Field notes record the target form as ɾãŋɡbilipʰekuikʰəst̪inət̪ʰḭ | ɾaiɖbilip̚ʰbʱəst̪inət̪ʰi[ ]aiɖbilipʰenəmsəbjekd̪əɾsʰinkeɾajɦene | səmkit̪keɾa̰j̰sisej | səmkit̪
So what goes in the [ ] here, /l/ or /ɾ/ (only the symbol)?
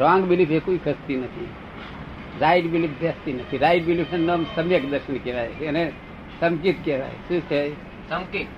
ɾ